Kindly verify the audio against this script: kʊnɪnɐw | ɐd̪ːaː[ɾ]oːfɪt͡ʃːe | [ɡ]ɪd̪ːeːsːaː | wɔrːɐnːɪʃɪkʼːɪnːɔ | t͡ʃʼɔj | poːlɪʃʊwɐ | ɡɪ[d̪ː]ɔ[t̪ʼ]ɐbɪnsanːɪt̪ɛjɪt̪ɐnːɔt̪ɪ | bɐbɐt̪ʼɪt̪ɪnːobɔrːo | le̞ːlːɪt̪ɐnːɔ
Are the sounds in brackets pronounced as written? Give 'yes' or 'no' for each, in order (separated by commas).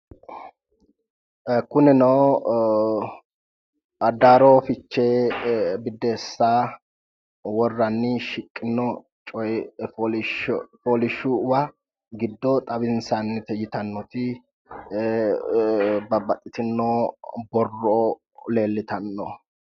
yes, no, yes, yes